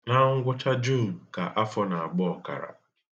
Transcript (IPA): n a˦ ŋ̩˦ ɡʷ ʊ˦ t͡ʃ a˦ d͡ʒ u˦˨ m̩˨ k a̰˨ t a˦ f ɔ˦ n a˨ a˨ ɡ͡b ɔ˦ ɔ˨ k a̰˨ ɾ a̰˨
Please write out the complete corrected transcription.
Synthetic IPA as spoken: n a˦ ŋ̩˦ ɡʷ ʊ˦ t͡ʃ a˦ d͡ʒ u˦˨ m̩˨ k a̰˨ ʔ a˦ f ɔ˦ n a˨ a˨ ɡ͡b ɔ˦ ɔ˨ k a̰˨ ɾ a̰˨